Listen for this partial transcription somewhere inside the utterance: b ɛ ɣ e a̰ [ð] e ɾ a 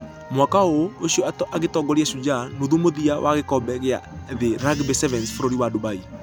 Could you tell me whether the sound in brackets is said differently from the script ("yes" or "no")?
no